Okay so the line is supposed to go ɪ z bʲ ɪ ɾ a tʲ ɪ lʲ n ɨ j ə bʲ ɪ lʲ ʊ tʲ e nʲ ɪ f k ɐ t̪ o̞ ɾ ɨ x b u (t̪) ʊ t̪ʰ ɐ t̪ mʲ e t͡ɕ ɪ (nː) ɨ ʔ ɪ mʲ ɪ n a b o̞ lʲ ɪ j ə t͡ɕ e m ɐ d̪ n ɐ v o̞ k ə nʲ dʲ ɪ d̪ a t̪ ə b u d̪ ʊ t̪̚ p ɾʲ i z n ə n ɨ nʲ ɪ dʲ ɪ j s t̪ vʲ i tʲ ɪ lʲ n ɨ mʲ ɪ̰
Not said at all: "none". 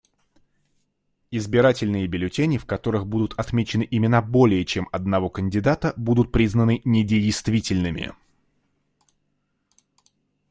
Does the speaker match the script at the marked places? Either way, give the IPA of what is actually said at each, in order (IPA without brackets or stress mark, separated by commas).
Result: d̪, n